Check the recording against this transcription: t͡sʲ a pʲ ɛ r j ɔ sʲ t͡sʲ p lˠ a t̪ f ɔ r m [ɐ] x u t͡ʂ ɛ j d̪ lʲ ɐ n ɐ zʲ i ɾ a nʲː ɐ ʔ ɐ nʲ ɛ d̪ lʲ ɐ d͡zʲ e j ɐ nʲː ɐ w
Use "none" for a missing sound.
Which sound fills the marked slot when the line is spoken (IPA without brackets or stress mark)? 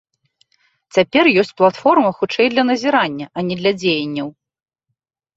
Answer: ɐ